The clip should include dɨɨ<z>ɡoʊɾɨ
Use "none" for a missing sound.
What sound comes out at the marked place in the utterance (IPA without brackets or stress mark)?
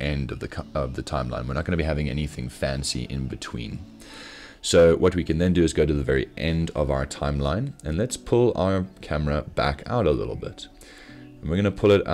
z